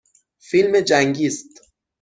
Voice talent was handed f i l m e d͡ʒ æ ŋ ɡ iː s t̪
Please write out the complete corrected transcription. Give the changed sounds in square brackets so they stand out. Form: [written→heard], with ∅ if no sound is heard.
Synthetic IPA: f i l m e d͡ʒ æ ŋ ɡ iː s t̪